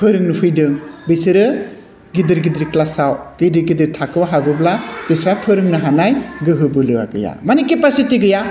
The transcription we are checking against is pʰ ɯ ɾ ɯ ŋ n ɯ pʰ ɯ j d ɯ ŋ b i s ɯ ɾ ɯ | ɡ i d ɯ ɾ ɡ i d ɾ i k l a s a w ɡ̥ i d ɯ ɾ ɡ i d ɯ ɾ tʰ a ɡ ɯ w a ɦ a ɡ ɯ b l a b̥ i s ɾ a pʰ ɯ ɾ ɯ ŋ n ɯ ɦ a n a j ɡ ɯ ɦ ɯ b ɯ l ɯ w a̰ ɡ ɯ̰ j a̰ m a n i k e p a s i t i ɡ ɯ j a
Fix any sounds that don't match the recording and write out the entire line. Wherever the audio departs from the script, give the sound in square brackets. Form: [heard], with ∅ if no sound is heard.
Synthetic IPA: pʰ ɯ ɾ ɯ ŋ n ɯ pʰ ɯ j d ɯ ŋ b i s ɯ ɾ ɯ | ɡ i d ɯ ɾ ɡ i d ɾ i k l a s a w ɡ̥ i d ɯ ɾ ɡ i d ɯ ɾ tʰ a [k] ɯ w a ɦ a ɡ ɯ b l a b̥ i s ɾ a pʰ ɯ ɾ ɯ ŋ n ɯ ɦ a n a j ɡ ɯ ɦ ɯ b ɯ l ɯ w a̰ ɡ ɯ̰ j a̰ m a n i k e p a s i t i ɡ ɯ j a

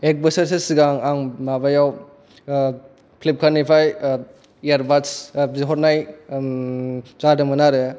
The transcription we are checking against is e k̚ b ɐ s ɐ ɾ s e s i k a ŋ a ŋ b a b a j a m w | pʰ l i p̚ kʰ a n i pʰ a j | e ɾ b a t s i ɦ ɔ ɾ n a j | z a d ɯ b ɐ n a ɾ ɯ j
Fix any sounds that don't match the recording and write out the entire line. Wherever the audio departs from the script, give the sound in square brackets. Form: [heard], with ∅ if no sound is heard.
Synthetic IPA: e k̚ b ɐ s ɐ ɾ s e s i [ɡ] a ŋ a ŋ [m] a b a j a [∅] w | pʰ l i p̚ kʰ a n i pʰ a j | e ɾ b a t s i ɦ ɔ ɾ n a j | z a d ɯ [m] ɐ n a ɾ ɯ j

